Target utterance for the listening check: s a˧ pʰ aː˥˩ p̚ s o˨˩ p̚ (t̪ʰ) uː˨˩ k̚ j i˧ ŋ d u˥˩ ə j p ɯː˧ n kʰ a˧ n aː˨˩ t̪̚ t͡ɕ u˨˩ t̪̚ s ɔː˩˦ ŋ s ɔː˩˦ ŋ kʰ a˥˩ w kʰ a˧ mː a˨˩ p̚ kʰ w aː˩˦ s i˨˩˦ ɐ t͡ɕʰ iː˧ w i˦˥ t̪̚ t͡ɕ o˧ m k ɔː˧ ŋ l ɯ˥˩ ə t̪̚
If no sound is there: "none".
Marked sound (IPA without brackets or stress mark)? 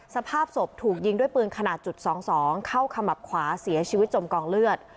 t̪ʰ